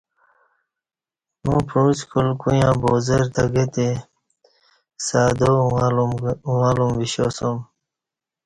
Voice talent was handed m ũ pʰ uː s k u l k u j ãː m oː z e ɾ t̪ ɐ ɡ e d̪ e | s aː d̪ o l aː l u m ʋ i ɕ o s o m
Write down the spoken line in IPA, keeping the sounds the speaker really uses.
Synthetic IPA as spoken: m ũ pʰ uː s k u l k u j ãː b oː z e ɾ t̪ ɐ ɡ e t̪ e | s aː d̪ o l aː l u m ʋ i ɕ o s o m